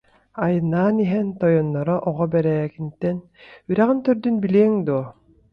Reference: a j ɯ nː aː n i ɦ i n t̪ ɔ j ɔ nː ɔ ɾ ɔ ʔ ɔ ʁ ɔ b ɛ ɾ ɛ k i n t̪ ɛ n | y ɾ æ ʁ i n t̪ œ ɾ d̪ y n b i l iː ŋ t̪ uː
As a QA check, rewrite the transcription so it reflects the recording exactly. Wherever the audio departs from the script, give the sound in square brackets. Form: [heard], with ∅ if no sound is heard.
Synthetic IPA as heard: a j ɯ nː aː n i ɦ [ɛ] n t̪ ɔ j ɔ nː ɔ ɾ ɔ ʔ ɔ ʁ ɔ b ɛ ɾ ɛ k i n t̪ ɛ n | y ɾ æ ʁ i n t̪ œ ɾ d̪ y n b i l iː ŋ [d̪] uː